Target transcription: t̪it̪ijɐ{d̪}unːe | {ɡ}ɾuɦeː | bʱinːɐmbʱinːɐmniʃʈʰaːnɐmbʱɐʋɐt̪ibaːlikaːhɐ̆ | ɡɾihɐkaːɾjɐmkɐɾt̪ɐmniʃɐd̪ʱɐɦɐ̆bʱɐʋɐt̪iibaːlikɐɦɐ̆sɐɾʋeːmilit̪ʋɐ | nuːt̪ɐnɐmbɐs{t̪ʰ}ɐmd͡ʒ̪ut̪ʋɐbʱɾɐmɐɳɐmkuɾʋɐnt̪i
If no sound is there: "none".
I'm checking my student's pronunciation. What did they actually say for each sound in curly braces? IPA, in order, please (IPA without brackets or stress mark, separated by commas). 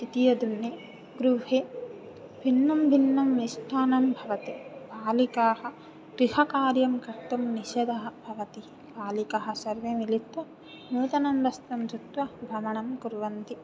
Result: d̪, ɡ, t̪